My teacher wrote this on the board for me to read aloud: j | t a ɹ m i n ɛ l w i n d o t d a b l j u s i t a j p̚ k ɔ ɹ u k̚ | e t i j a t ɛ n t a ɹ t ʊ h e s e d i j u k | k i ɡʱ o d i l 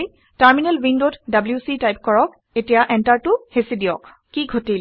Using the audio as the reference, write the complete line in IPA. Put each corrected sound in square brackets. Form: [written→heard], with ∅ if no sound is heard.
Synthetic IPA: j | t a ɹ m i n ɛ l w i n d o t d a b l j u s i t a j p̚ k ɔ ɹ [u→ɔ] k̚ | e t i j a [t→ʔ] ɛ n t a ɹ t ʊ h e s [e→i] d i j [u→ɔ] k | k i ɡʱ o [d→t] i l